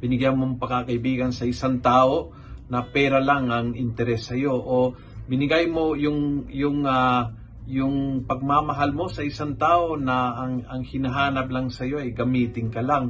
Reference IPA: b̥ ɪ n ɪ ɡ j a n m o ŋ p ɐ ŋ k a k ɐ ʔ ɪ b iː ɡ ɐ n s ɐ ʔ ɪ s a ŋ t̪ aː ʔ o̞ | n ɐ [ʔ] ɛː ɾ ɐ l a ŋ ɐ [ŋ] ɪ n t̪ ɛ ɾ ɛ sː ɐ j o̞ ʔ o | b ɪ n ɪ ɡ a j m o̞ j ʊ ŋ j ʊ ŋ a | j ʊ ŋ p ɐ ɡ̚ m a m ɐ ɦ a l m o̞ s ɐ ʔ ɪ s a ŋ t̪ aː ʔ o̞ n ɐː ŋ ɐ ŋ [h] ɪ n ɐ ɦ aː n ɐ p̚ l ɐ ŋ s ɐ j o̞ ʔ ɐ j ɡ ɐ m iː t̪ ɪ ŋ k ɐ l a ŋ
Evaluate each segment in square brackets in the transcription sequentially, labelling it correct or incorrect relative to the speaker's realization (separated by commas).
incorrect, correct, correct